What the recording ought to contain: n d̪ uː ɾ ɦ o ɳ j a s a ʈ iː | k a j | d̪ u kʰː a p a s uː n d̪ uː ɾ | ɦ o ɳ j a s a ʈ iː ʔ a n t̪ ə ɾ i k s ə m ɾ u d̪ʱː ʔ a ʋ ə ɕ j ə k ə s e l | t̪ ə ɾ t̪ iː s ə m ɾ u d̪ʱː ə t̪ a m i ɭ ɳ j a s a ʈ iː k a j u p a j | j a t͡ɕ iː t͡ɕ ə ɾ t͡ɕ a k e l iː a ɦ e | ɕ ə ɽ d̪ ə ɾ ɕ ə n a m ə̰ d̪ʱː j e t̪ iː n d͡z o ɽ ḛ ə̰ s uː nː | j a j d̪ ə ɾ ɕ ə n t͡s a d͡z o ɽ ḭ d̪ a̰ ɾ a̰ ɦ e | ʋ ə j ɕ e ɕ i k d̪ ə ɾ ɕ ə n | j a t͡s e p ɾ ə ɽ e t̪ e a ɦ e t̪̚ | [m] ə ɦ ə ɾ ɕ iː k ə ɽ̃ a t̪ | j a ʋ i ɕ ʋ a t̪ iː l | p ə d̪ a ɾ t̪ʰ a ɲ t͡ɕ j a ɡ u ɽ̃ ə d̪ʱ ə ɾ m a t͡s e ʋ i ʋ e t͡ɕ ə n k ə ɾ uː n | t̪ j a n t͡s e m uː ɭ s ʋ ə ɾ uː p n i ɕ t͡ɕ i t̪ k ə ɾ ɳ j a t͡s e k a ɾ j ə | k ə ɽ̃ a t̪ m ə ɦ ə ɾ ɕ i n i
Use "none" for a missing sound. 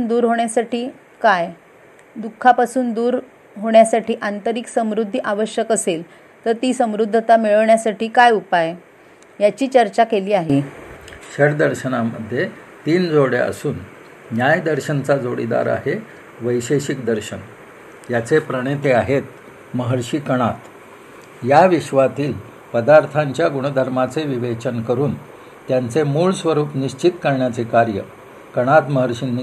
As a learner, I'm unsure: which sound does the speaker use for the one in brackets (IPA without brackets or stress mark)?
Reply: m